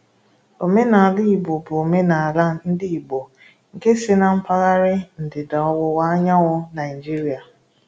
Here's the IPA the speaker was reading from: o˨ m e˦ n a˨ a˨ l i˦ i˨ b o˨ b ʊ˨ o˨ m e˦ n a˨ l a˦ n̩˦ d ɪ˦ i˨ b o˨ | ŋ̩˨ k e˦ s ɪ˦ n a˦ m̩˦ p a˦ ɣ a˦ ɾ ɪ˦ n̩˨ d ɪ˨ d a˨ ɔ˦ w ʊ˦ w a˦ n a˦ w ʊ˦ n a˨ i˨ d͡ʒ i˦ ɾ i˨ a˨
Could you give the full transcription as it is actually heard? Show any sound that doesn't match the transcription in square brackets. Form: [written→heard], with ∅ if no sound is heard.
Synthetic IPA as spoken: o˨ m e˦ n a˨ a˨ l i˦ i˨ b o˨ b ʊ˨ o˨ m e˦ n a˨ l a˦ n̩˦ d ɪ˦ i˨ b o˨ | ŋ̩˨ k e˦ s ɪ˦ n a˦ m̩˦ p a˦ ɣ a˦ ɾ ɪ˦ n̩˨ d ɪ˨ d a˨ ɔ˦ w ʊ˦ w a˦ [n→ɲ] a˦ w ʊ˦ n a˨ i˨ d͡ʒ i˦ ɾ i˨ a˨